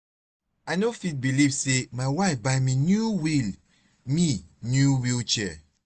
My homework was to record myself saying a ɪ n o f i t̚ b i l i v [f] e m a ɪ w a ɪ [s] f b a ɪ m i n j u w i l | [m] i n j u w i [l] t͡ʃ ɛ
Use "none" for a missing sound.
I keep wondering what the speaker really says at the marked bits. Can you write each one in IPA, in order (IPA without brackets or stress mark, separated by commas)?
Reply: s, none, m, l